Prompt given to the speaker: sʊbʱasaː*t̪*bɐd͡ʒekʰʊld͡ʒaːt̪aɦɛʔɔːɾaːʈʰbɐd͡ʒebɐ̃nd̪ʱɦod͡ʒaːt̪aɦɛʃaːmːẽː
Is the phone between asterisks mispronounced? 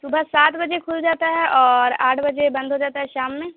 no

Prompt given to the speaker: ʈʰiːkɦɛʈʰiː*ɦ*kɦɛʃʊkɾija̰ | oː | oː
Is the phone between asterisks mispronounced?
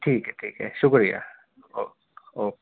yes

